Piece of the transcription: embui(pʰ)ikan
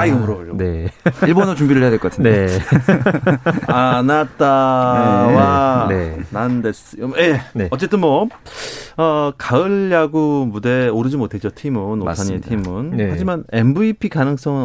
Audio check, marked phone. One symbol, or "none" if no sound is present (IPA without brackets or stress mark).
pʰ